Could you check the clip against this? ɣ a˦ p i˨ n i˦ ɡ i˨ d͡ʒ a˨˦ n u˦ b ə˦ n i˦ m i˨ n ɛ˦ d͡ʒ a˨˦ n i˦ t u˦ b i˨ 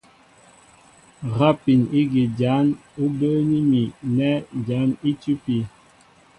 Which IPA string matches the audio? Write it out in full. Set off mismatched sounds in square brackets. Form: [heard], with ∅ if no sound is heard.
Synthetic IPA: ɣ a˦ p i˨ n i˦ ɡ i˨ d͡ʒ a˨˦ n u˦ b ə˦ n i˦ m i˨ n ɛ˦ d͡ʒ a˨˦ n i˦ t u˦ [p] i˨